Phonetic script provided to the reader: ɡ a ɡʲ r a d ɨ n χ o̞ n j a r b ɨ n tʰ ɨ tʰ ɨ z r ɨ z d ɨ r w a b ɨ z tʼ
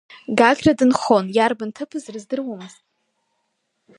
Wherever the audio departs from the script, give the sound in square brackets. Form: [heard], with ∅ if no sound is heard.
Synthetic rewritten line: ɡ a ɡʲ r a d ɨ n χ o̞ n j a r b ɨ n tʰ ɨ [pʰ] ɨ z r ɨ z d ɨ r w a [m] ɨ z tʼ

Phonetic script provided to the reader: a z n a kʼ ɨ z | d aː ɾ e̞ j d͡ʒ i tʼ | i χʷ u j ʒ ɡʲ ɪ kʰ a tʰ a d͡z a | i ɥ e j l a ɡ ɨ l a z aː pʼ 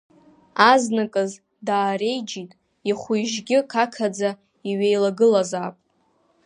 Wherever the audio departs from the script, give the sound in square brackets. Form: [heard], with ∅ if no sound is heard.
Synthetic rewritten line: a z n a kʼ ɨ z | d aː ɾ e̞ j d͡ʒ i tʼ | i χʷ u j ʒ ɡʲ ɪ kʰ a [kʰ] a d͡z a | i ɥ e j l a ɡ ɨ l a z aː pʼ

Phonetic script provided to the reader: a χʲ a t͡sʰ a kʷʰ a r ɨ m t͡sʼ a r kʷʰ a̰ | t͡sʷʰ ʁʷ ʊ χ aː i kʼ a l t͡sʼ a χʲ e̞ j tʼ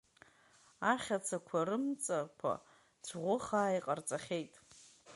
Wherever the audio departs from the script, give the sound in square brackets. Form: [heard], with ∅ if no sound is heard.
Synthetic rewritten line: a χʲ a t͡sʰ a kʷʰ a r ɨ m t͡sʼ a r kʷʰ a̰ | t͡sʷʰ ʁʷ ʊ χ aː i [qʼ] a [r] t͡sʼ a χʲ e̞ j tʼ

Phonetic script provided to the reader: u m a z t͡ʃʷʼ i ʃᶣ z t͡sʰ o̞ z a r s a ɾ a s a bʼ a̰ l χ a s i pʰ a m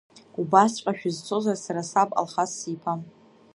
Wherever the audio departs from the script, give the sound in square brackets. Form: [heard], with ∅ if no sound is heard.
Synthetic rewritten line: u [b] a [s] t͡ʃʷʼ [a] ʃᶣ z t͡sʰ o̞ z a r s a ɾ a s a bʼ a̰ l χ a s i pʰ a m

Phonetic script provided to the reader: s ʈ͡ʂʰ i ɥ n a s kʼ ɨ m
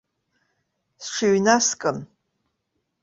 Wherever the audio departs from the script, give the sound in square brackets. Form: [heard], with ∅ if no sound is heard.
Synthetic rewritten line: s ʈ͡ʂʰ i ɥ n a s kʼ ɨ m

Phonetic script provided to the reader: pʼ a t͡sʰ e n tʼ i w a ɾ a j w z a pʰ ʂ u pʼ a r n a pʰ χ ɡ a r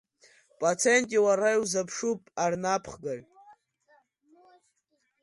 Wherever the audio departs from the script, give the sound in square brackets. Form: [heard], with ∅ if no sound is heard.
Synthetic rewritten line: pʼ a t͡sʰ e n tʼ i w a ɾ a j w z a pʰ ʂ u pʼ a r n a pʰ χ ɡ a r

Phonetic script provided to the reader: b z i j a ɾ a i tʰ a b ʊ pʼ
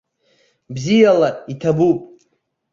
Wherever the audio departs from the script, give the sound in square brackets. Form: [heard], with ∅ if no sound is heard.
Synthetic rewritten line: b z i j a [l] a i tʰ a b [u] pʼ

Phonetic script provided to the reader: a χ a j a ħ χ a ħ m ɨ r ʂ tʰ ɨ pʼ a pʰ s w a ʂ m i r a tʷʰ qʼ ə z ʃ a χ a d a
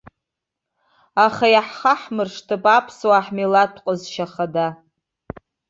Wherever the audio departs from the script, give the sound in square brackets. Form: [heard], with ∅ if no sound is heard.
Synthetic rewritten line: a χ a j a ħ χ a ħ m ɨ r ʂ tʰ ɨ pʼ a pʰ s w a [ħ] m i [l] a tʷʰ qʼ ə z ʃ a χ a d a

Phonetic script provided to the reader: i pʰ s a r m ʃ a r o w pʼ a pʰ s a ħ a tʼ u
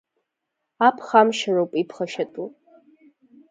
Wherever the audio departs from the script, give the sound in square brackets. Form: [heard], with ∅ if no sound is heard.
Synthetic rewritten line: [a] pʰ [χ] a [∅] m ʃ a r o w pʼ [i] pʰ [χ] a [ʃ] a tʼ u

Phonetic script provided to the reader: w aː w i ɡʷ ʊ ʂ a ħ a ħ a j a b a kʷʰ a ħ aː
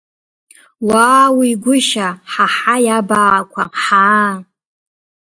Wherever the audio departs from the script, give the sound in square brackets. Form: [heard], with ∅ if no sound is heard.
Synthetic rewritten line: w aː w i ɡʷ ʊ [ʃ] a ħ a ħ a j a b a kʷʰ a ħ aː

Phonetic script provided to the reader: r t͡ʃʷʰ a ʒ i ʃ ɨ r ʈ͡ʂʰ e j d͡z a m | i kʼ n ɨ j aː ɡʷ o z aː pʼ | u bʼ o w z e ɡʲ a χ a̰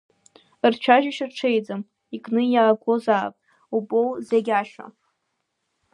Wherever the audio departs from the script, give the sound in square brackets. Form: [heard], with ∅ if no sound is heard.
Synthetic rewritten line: r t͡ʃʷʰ a ʒ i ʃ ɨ r ʈ͡ʂʰ e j d͡z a m | i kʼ n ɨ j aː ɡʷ o z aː pʼ | u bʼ o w z e ɡʲ a [ʃ] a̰

